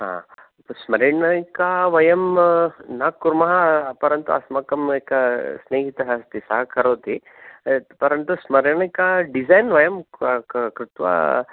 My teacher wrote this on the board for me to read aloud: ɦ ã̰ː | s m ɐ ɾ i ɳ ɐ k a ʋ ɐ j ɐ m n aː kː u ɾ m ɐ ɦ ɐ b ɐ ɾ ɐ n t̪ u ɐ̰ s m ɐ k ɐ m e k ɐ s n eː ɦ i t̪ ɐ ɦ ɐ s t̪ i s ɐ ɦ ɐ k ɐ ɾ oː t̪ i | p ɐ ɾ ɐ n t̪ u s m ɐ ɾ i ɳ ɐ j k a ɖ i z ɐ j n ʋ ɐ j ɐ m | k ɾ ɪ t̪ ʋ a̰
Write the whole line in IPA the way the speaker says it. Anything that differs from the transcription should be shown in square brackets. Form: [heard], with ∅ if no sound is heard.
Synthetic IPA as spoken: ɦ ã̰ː | s m ɐ ɾ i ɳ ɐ k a ʋ ɐ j ɐ m n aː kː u ɾ m ɐ ɦ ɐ [p] ɐ ɾ ɐ n t̪ u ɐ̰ s m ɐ k ɐ m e k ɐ s n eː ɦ i t̪ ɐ ɦ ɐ s t̪ i s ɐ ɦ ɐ k ɐ ɾ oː t̪ i | p ɐ ɾ ɐ n t̪ u s m ɐ ɾ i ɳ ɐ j k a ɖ i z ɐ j n ʋ ɐ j ɐ m | k ɾ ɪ t̪ ʋ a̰

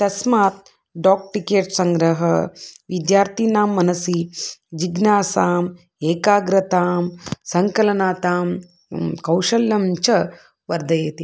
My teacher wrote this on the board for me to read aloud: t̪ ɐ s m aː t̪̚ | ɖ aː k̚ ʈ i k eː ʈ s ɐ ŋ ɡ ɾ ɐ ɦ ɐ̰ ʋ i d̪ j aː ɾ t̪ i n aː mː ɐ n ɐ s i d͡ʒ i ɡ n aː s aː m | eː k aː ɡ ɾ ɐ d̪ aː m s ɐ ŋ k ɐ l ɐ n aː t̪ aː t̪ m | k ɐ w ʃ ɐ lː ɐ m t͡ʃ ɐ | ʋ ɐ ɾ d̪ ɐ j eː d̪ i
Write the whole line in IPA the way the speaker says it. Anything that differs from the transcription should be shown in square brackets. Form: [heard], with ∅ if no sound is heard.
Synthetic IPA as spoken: t̪ ɐ s m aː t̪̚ | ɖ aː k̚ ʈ i k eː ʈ s ɐ ŋ ɡ ɾ ɐ ɦ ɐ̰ ʋ i d̪ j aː ɾ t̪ i n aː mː ɐ n ɐ s i d͡ʒ i ɡ n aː s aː m | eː k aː ɡ ɾ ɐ [t̪] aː m s ɐ ŋ k ɐ l ɐ n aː t̪ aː [∅] m | k ɐ w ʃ ɐ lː ɐ m t͡ʃ ɐ | ʋ ɐ ɾ d̪ ɐ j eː [t̪] i

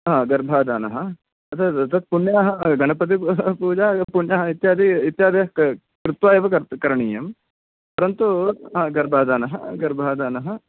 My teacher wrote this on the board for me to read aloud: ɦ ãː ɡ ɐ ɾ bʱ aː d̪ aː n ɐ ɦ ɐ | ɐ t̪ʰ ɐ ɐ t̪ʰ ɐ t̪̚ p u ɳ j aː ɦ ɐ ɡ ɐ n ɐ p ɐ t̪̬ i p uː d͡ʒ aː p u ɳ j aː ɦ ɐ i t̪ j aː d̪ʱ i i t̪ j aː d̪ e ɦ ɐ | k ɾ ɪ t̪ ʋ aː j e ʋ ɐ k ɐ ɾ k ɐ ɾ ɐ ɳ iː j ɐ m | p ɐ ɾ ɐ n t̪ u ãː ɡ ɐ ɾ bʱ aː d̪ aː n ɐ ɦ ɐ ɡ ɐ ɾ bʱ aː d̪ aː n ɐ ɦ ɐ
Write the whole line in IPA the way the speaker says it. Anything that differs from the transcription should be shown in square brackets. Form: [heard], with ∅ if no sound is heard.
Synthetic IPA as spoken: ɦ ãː ɡ ɐ ɾ bʱ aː d̪ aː n ɐ ɦ ɐ | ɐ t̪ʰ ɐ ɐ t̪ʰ ɐ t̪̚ p u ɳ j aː ɦ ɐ ɡ ɐ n ɐ p ɐ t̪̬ i p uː d͡ʒ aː p u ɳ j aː ɦ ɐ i t̪ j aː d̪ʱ i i t̪ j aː d̪ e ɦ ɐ | k ɾ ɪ t̪ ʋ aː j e ʋ ɐ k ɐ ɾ k ɐ ɾ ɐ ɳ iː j ɐ m | p ɐ ɾ ɐ n t̪ u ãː ɡ ɐ ɾ bʱ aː d̪ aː n ɐ ɦ ɐ ɡ ɐ ɾ bʱ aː d̪ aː n ɐ ɦ ɐ

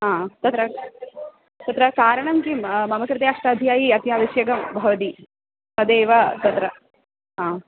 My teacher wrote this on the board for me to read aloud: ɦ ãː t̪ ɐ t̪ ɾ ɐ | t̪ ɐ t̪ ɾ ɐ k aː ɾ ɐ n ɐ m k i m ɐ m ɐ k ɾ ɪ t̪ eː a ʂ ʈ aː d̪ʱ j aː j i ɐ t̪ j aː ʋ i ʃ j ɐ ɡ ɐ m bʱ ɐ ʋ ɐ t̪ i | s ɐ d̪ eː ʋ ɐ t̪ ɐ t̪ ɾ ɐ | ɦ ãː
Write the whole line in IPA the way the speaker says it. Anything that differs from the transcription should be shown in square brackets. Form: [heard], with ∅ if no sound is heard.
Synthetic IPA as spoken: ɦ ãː t̪ ɐ t̪ ɾ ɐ | t̪ ɐ t̪ ɾ ɐ k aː ɾ ɐ [ɳ] ɐ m k i m ɐ m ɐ k ɾ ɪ t̪ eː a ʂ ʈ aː d̪ʱ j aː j i ɐ t̪ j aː ʋ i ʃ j ɐ ɡ ɐ m bʱ ɐ ʋ ɐ t̪ i | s ɐ d̪ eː ʋ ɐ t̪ ɐ t̪ ɾ ɐ | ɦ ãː

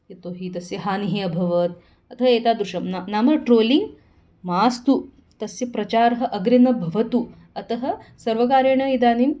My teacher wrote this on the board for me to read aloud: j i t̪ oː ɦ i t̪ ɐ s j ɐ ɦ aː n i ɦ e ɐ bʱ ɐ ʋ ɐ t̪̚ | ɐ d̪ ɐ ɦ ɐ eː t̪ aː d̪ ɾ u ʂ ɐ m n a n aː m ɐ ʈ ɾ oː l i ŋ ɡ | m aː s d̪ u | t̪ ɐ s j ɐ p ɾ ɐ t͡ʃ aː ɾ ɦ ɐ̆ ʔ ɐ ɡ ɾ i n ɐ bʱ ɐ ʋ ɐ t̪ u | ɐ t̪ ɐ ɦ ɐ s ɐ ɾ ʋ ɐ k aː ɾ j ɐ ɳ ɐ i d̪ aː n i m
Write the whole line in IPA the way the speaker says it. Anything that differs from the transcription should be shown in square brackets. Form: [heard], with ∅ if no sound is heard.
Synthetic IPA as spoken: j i t̪ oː ɦ i t̪ ɐ s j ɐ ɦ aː n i ɦ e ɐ bʱ ɐ ʋ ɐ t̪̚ | ɐ [t̪] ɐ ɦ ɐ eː t̪ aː d̪ ɾ u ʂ ɐ m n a n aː m ɐ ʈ ɾ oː l i ŋ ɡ | m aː s [t̪] u | t̪ ɐ s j ɐ p ɾ ɐ t͡ʃ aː ɾ ɦ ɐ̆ ʔ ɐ ɡ ɾ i n ɐ bʱ ɐ ʋ ɐ t̪ u | ɐ t̪ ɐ ɦ ɐ s ɐ ɾ ʋ ɐ k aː ɾ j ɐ ɳ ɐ i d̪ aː n i m

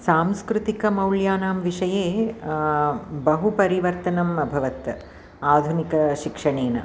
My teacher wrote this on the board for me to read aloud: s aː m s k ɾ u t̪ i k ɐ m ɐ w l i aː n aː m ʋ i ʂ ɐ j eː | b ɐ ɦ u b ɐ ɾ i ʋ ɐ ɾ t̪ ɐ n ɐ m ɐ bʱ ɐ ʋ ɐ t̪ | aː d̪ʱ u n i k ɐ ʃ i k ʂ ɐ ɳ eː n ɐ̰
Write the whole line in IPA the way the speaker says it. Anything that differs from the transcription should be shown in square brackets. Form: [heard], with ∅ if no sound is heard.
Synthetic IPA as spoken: s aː m s k ɾ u t̪ i k ɐ m ɐ w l [j] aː n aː m ʋ i ʂ ɐ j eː | b ɐ ɦ u [p] ɐ ɾ i ʋ ɐ ɾ t̪ ɐ n ɐ m ɐ bʱ ɐ ʋ ɐ t̪ | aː d̪ʱ u n i k ɐ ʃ i k ʂ ɐ ɳ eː n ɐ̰

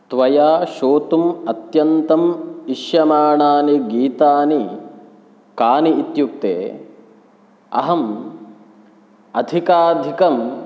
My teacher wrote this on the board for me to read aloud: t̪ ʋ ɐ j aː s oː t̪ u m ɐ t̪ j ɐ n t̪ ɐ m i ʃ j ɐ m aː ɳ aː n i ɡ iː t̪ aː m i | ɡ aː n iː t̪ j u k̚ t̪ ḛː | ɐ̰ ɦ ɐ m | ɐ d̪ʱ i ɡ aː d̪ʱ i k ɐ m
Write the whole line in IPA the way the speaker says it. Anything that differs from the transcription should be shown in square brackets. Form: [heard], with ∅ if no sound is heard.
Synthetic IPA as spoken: t̪ ʋ ɐ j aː [ʃ] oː t̪ u m ɐ t̪ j ɐ n t̪ ɐ m i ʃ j ɐ m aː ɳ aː n i ɡ iː t̪ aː [n] i | [k] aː n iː t̪ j u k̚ t̪ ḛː | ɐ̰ ɦ ɐ m | ɐ d̪ʱ i [k] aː d̪ʱ i k ɐ m

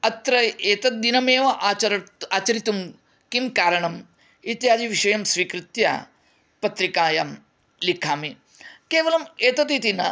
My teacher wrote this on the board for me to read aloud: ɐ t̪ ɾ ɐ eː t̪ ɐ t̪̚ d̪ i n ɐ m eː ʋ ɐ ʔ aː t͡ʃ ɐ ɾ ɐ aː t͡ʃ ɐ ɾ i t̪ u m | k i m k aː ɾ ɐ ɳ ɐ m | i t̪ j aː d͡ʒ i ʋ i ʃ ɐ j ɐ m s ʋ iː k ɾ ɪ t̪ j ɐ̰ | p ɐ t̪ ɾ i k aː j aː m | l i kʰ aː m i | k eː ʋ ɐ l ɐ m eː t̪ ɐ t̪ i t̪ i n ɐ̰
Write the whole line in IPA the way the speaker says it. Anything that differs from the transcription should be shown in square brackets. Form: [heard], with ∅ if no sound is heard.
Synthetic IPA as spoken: ɐ t̪ ɾ ɐ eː t̪ ɐ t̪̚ d̪ i n ɐ m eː ʋ ɐ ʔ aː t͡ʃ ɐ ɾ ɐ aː t͡ʃ ɐ ɾ i t̪ u m | k i m k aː ɾ ɐ ɳ ɐ m | i t̪ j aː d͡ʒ i ʋ i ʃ ɐ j ɐ m s ʋ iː k ɾ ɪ t̪ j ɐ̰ | p ɐ t̪ ɾ i k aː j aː m | l i kʰ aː m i | k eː ʋ ɐ l ɐ m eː t̪ ɐ t̪ i t̪ i n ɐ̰

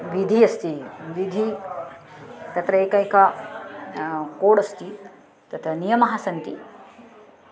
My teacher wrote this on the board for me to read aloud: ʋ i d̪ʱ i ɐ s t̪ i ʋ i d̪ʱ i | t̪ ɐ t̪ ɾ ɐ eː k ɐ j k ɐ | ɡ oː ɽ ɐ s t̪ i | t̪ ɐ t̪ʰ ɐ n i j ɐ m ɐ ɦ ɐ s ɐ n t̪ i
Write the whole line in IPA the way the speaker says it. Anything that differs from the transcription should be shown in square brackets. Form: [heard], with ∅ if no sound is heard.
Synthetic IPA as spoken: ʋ i d̪ʱ i ɐ s t̪ i ʋ i d̪ʱ i | t̪ ɐ t̪ ɾ ɐ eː k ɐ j k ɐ | [k] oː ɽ ɐ s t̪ i | t̪ ɐ t̪ʰ ɐ n i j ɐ m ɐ ɦ ɐ s ɐ n t̪ i

